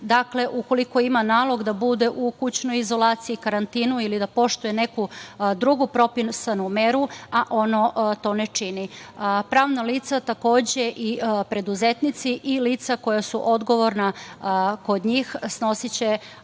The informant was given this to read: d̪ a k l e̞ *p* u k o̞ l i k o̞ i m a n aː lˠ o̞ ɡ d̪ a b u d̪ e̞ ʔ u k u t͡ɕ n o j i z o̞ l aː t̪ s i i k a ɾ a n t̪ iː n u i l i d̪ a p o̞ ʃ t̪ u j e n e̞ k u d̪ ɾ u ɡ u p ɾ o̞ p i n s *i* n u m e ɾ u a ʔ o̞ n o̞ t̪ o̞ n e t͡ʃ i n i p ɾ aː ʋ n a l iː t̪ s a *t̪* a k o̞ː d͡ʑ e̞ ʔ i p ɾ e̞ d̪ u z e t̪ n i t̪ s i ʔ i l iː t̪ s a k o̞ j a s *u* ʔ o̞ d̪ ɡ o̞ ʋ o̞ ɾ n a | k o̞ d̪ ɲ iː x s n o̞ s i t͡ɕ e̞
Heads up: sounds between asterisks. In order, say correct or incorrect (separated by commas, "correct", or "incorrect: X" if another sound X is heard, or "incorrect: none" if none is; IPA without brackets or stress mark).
incorrect: ʔ, incorrect: a, correct, correct